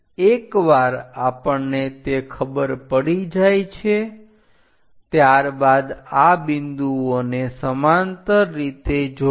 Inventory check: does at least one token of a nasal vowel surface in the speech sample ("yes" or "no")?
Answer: no